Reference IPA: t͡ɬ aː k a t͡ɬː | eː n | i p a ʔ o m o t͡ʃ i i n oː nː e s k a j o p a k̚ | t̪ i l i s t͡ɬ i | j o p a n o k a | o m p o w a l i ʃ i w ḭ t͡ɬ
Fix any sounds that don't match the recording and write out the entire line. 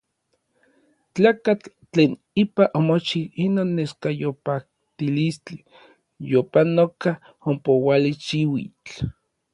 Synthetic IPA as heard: t͡ɬ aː k a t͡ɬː | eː n | i p a ʔ o m o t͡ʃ i i n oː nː e s k a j o p a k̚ | t̪ i l i s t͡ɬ i | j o p a n o k a | o m p o w a l i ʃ i w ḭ t͡ɬ